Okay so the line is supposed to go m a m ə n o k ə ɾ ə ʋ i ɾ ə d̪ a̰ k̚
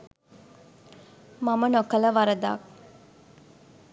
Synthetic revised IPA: m a m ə n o k ə l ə ʋ a ɾ ə d̪ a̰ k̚